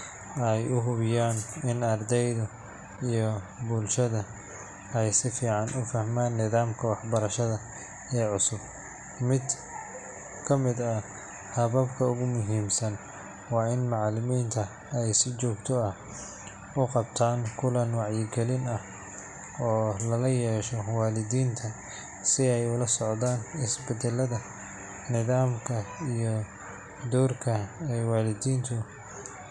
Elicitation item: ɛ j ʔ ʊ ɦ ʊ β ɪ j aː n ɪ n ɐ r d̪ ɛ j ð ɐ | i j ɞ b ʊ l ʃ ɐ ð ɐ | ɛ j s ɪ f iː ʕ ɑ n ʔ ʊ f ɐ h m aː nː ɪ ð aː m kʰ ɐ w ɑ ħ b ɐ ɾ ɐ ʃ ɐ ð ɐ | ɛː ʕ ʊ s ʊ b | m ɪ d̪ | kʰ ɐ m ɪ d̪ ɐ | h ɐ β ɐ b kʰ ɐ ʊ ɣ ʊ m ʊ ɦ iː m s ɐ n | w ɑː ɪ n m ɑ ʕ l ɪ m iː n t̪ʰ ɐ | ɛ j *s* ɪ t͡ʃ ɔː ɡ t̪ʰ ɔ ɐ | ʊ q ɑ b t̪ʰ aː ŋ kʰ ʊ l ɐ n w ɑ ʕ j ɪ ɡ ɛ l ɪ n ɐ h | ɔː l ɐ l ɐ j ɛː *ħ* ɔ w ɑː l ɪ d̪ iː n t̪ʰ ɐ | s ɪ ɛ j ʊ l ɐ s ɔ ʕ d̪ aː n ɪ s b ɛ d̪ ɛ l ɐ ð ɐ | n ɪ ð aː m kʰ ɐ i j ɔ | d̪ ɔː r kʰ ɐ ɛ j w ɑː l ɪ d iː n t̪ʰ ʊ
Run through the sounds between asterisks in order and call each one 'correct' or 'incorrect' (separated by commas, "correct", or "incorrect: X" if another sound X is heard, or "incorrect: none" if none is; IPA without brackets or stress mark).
correct, incorrect: ʃ